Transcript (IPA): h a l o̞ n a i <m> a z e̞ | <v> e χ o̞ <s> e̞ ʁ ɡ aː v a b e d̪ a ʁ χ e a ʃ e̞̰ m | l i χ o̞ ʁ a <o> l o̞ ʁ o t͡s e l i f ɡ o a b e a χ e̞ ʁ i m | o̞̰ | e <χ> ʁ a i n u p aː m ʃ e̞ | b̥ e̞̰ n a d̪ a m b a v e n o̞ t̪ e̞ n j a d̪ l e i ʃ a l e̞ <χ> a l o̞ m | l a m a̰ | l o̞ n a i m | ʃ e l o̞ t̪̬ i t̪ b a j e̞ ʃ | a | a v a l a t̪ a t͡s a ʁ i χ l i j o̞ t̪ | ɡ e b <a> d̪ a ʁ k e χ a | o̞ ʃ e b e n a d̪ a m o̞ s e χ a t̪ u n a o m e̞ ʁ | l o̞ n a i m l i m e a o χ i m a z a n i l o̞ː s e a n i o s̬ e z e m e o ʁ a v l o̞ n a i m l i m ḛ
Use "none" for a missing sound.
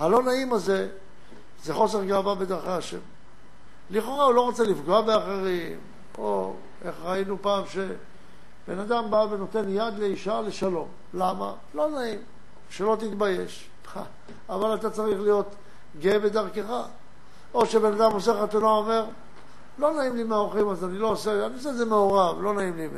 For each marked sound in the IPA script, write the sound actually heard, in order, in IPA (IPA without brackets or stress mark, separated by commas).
m, z, s, u, χ, ʃ, e